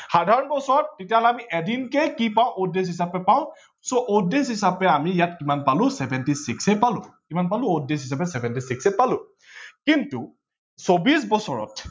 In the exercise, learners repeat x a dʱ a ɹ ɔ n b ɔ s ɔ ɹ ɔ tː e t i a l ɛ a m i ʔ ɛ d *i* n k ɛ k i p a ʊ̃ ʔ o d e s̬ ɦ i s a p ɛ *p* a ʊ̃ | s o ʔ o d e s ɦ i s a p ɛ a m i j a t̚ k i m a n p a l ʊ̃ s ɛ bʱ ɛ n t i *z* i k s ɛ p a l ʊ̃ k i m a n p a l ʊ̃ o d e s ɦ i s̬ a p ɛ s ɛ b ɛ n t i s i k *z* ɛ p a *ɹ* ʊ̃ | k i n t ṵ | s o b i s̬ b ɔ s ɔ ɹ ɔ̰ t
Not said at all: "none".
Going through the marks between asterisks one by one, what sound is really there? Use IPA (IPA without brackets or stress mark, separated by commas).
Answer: i, p, s, s, l